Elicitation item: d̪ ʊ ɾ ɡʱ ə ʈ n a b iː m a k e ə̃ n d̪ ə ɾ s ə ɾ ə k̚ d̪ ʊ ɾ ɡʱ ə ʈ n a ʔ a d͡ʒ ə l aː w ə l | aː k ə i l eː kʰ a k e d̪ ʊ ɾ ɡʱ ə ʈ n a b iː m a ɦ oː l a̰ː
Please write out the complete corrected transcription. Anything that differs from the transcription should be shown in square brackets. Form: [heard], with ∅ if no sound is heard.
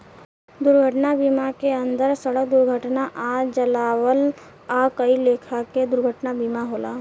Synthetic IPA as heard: d̪ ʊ ɾ ɡʱ ə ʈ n a b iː m a k e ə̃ n d̪ ə ɾ s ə [ɽ] ə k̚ d̪ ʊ ɾ ɡʱ ə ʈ n a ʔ a d͡ʒ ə l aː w ə l | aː k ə i l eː kʰ a k e d̪ ʊ ɾ ɡʱ ə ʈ n a b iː m a ɦ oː l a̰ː